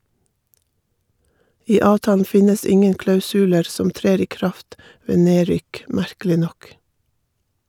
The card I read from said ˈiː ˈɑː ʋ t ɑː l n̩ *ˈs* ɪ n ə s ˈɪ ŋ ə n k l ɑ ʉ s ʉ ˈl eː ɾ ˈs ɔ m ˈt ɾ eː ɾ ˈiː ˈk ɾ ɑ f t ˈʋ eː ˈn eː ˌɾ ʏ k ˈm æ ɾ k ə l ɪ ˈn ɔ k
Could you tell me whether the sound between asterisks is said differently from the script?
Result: yes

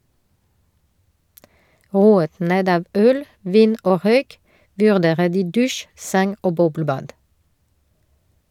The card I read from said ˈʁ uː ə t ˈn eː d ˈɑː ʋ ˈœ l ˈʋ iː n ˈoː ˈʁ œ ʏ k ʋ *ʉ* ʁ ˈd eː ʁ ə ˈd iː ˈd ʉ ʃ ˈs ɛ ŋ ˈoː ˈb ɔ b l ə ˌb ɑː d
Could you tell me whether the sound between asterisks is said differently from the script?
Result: no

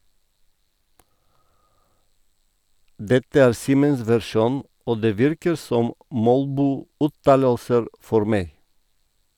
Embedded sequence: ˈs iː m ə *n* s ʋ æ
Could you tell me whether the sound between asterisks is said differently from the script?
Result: no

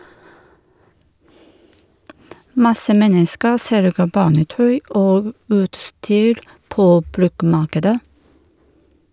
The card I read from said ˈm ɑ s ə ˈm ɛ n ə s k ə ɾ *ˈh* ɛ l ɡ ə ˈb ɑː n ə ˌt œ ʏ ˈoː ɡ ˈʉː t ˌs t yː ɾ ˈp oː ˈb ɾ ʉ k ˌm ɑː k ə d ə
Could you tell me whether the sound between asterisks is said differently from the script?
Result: yes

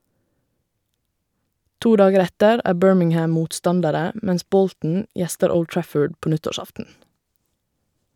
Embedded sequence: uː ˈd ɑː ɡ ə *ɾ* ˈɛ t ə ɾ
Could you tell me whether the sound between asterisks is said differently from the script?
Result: no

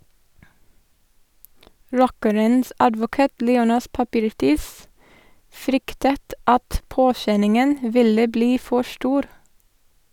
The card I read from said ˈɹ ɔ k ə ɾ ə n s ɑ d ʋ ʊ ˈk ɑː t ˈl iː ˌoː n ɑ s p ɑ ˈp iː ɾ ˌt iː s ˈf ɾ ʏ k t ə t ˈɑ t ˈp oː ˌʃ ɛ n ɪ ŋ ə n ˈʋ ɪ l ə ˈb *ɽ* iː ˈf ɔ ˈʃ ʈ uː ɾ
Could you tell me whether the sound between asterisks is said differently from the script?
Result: yes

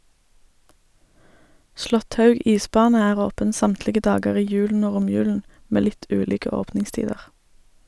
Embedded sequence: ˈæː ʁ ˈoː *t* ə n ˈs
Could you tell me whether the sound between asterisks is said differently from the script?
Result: yes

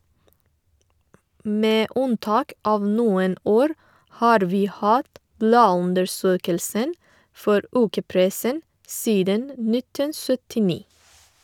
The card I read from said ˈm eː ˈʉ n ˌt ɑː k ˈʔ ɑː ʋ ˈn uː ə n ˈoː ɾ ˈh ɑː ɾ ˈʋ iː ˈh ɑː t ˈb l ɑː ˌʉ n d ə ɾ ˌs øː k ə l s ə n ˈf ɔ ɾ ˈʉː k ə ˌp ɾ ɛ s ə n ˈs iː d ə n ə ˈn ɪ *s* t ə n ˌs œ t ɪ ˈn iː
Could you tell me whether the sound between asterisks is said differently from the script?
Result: yes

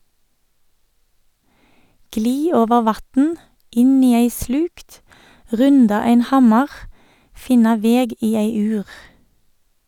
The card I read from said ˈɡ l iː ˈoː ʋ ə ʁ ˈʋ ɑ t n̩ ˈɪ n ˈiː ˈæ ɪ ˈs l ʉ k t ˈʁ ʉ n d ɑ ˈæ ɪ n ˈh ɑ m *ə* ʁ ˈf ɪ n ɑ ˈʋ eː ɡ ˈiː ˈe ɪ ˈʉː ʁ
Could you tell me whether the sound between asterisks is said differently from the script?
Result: yes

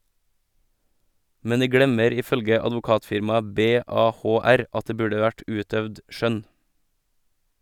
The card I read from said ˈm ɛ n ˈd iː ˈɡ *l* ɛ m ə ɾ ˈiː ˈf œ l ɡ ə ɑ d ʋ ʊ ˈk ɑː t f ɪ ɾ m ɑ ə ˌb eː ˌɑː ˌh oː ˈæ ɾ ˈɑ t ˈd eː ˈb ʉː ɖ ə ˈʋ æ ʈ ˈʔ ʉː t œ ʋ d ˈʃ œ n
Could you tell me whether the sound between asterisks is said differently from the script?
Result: yes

